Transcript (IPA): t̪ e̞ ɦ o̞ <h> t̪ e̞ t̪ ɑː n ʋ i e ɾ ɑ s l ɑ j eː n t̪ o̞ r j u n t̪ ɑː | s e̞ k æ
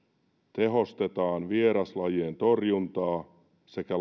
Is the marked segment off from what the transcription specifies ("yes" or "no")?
yes